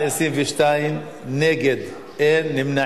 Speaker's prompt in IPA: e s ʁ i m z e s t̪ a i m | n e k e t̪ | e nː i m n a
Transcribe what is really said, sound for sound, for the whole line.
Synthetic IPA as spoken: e s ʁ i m v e ʃ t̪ a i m | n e ɡ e d̪ | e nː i m n a